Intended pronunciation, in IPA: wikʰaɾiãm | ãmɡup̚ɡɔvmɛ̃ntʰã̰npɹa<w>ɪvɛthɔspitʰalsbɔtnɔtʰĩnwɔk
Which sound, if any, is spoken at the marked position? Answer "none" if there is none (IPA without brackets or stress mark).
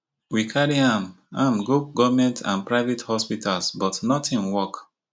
none